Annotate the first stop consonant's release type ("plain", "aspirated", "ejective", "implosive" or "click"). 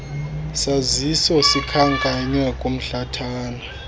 aspirated